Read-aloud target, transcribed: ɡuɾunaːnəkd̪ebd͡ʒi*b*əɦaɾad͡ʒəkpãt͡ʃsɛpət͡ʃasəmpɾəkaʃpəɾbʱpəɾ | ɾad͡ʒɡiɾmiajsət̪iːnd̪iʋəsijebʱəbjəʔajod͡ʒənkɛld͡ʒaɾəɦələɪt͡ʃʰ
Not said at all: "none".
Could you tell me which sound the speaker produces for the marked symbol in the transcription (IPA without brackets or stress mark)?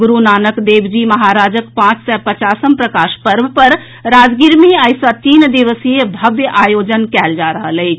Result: m